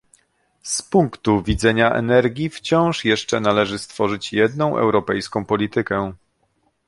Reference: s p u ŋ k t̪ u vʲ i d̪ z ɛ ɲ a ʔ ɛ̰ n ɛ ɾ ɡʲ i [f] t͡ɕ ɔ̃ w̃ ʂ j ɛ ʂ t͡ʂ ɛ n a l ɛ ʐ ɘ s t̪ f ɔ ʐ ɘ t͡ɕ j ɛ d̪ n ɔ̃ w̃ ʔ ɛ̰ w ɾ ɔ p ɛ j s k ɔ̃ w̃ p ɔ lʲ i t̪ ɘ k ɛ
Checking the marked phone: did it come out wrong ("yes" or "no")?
no